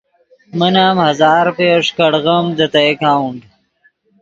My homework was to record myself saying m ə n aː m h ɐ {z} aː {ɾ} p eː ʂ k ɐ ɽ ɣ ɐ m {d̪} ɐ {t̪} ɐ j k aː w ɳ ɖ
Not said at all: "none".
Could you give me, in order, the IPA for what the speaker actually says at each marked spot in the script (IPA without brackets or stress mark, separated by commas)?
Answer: z, ɾ, d̪, t̪